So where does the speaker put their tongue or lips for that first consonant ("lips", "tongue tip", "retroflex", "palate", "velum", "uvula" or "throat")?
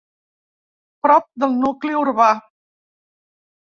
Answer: lips